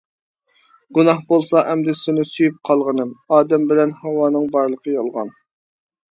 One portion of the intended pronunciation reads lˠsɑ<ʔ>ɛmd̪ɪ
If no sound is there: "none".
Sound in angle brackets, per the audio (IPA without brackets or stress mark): ʔ